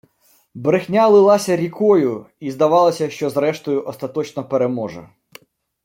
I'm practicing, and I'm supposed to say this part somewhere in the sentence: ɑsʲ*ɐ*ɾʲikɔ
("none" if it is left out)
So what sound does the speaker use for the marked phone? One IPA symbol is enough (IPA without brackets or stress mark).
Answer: ɐ